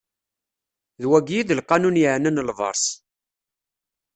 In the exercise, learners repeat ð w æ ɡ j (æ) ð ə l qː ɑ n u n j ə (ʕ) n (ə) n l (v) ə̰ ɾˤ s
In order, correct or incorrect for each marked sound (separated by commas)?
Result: incorrect, correct, correct, correct